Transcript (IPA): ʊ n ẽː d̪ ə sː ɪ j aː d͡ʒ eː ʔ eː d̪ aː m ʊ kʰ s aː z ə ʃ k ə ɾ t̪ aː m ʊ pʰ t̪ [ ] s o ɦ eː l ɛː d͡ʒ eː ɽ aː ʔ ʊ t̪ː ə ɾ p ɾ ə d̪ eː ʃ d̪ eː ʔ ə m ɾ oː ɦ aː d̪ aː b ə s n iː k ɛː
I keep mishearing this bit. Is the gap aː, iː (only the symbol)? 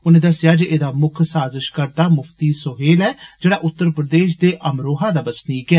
iː